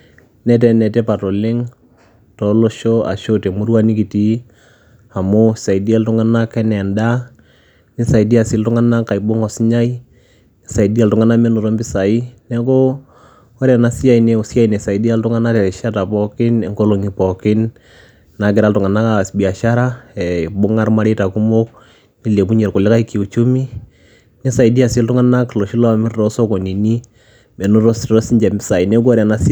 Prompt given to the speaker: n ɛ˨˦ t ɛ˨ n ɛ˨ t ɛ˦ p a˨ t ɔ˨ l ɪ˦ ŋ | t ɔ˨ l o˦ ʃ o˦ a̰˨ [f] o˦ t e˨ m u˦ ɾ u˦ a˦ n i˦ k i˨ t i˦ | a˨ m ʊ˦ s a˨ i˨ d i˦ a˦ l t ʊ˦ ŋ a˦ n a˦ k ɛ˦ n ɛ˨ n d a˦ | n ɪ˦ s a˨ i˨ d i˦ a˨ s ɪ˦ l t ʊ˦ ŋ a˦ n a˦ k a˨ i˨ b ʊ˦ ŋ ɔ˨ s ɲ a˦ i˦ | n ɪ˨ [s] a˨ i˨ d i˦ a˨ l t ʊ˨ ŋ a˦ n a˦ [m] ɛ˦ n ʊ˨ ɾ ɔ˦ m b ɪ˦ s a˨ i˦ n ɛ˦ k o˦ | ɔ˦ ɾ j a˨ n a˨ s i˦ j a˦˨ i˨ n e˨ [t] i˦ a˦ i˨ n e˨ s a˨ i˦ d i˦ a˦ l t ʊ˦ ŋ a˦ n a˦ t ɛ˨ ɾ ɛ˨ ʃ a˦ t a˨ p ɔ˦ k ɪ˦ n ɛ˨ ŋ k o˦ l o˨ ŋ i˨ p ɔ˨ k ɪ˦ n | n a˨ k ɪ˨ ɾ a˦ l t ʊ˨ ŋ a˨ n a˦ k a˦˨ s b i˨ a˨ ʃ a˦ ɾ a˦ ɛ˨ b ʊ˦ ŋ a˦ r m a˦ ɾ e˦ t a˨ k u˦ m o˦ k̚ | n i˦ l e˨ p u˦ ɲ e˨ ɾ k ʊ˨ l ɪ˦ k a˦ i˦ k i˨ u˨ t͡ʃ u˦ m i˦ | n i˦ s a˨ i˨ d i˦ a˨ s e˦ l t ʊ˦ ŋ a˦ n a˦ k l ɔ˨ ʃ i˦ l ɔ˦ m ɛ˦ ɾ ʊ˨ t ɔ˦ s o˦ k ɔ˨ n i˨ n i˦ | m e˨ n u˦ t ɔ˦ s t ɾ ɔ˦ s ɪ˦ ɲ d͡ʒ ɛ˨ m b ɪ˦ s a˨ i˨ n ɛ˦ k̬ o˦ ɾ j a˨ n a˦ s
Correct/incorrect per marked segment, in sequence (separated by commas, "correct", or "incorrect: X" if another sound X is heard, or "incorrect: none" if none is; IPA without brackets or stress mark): incorrect: ʃ, correct, correct, incorrect: s